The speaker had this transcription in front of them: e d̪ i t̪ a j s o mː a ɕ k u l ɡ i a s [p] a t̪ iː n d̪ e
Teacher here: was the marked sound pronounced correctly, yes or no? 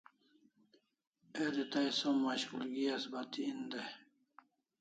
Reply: no